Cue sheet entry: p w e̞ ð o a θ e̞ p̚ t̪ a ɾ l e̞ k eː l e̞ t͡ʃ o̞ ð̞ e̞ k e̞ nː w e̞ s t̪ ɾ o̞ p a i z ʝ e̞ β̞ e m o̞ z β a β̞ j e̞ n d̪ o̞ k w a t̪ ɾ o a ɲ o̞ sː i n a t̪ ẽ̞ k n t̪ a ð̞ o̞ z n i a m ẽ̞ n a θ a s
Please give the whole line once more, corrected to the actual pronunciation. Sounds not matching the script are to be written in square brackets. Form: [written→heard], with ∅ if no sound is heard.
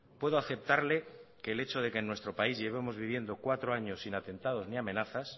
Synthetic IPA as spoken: p w e̞ ð o a θ e̞ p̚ t̪ a ɾ l e̞ k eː l e̞ t͡ʃ o̞ ð̞ e̞ k e̞ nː w e̞ s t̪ ɾ o̞ p a i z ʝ e̞ β̞ e m o̞ z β [a→i] β̞ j e̞ n d̪ o̞ k w a t̪ ɾ o a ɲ o̞ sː i n a t̪ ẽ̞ [k→∅] n t̪ a ð̞ o̞ z n i a m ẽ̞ n a θ a s